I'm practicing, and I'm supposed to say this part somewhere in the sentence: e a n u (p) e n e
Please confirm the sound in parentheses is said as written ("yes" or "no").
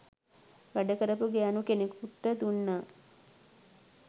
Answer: no